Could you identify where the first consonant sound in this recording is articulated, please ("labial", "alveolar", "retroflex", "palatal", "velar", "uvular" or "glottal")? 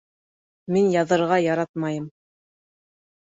labial